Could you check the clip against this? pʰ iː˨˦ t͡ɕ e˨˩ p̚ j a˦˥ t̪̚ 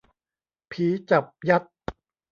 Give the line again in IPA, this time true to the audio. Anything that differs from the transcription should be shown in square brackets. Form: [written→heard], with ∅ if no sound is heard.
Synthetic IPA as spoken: pʰ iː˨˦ t͡ɕ [e˨˩→a˨˩] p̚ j a˦˥ t̪̚